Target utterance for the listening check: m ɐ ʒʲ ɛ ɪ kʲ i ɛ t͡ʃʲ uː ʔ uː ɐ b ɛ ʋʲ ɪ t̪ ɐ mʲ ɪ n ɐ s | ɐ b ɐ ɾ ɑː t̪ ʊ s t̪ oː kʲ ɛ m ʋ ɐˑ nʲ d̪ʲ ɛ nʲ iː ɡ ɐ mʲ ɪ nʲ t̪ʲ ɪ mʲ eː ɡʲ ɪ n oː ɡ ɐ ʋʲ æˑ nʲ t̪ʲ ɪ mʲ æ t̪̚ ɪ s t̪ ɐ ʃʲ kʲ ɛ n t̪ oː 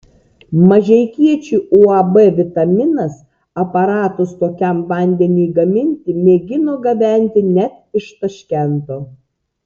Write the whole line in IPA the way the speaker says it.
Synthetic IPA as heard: m ɐ ʒʲ ɛ ɪ kʲ i ɛ t͡ʃʲ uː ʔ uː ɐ b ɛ ʋʲ ɪ t̪ ɐ mʲ ɪ n ɐ s | ɐ p ɐ ɾ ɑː t̪ ʊ s t̪ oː kʲ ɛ m ʋ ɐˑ nʲ d̪ʲ ɛ nʲ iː ɡ ɐ mʲ ɪ nʲ t̪ʲ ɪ mʲ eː ɡʲ ɪ n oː ɡ ɐ ʋʲ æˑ nʲ t̪ʲ ɪ nʲ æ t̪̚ ɪ ʃ t̪ ɐ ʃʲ kʲ ɛ n t̪ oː